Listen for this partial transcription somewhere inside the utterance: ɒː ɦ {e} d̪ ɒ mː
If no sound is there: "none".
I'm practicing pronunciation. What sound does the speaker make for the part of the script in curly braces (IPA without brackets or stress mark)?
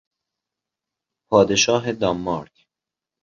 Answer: e